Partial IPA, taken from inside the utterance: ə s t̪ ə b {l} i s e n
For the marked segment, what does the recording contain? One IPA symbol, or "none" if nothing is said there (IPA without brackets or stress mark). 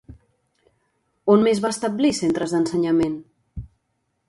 l